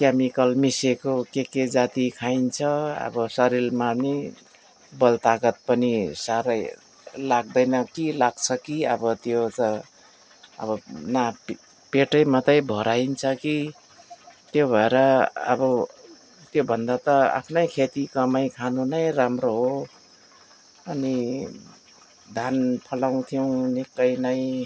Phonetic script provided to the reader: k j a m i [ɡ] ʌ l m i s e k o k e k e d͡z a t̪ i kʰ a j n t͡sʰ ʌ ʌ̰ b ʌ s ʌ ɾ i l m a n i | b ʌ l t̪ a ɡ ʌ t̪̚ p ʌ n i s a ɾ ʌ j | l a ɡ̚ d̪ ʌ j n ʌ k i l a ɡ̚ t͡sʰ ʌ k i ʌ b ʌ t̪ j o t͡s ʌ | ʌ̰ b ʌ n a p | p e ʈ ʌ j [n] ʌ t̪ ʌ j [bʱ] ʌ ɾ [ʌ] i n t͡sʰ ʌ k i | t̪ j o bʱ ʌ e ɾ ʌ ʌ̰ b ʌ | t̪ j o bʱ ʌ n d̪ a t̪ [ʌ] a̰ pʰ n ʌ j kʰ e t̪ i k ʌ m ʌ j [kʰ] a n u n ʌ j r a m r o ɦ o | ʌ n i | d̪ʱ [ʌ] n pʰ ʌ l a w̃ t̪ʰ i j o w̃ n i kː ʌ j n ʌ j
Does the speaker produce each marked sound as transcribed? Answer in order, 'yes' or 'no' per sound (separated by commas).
no, no, yes, no, yes, yes, no